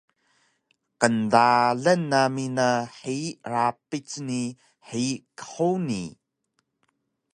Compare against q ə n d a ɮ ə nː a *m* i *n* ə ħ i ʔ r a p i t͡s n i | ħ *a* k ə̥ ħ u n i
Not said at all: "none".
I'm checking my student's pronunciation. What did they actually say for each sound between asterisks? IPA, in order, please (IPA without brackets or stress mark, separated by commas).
m, n, i